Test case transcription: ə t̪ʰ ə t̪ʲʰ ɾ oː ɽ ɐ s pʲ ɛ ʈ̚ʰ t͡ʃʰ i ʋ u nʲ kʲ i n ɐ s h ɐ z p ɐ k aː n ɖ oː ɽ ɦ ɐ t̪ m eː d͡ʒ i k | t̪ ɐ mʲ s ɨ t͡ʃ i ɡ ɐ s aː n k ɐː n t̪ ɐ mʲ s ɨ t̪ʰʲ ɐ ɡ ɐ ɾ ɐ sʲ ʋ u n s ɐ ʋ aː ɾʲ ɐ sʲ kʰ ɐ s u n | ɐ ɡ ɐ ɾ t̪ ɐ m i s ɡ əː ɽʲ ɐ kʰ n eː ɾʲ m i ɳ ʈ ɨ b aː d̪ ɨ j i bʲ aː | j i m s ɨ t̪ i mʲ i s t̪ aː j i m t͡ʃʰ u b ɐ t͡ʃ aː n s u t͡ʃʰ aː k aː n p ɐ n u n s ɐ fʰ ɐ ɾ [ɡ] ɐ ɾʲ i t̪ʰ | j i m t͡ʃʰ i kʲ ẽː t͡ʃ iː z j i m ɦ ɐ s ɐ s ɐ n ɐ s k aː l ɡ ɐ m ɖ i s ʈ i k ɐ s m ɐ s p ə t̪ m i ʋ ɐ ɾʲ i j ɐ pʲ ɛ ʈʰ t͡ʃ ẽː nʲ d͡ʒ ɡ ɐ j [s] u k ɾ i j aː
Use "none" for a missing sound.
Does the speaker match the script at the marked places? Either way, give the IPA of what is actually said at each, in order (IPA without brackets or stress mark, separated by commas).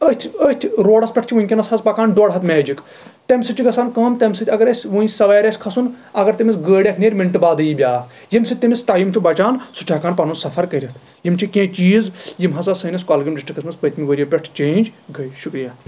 k, ʃ